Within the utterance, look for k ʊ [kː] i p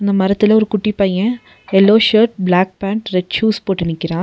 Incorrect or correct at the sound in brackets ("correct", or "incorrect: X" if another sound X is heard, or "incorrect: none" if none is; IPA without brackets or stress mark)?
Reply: incorrect: ʈː